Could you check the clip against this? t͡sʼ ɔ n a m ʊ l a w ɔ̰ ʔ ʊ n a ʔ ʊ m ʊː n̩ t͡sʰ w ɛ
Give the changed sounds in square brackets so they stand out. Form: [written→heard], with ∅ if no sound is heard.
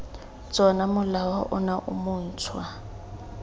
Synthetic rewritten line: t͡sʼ ɔ n a m ʊ l a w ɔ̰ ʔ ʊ n a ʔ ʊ m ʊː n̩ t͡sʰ w [ɛ→a]